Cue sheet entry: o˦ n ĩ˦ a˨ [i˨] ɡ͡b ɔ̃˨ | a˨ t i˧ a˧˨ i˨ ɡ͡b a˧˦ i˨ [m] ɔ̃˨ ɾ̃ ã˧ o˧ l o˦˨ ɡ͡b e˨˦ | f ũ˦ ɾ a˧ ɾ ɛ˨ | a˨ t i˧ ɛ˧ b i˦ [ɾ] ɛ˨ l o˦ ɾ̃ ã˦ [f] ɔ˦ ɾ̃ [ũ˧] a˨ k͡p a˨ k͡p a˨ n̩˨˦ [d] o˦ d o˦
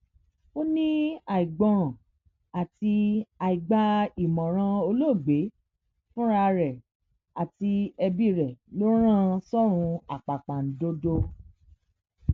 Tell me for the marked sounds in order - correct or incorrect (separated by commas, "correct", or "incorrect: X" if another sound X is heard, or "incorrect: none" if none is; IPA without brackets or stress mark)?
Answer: correct, correct, correct, incorrect: s, correct, correct